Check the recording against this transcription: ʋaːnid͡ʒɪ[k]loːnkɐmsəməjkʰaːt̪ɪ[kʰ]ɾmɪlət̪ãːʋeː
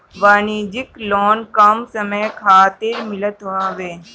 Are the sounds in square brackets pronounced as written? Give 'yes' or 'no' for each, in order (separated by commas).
yes, no